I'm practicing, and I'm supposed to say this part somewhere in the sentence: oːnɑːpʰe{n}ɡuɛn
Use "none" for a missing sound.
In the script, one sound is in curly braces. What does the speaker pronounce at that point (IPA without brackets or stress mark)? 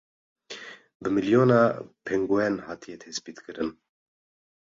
ŋ